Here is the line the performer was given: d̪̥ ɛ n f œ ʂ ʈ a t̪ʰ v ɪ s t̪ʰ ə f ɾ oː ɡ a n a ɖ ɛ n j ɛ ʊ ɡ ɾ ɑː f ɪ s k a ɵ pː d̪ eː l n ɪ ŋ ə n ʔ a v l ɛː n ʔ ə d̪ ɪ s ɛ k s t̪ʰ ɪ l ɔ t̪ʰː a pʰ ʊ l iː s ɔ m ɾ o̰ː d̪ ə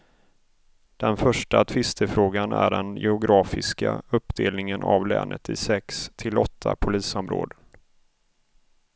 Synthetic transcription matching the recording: d̪̥ ɛ n f œ ʂ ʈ a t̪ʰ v ɪ s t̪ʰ ə f ɾ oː ɡ a n æ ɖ ɛ n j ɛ ʊ ɡ ɾ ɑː f ɪ s k a ɵ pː d̪ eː l n ɪ ŋ ə n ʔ a v l ɛː n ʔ ə t̪ ɪ s ɛ k s t̪ʰ ɪ l ɔ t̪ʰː a pʰ ʊ l iː s ɔ m ɾ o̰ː d̪ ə